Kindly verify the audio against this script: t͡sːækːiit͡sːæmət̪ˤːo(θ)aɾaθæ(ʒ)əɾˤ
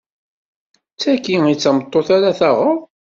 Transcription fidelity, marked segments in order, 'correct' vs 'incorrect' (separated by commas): correct, incorrect